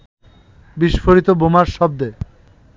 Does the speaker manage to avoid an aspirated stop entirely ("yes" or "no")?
yes